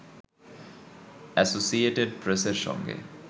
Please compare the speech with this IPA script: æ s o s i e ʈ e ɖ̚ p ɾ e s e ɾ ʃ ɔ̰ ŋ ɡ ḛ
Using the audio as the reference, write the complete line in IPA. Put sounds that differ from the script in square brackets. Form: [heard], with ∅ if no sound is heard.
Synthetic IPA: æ s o s i e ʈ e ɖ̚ p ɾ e s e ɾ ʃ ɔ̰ ŋ ɡ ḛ